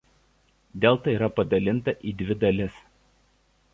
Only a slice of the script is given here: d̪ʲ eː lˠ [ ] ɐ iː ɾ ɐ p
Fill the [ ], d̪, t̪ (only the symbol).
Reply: t̪